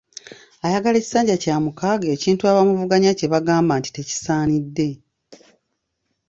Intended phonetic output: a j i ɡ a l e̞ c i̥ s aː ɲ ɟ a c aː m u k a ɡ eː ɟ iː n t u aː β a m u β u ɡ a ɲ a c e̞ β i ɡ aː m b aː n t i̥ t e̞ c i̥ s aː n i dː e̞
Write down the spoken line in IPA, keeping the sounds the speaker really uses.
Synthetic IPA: a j a ɡ a l e̞ c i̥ s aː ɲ ɟ a c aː m u k a ɡ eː c iː n t u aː β a m u v u ɡ a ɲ a c e̞ β a ɡ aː m b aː n t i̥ t e̞ c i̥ s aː n i dː e̞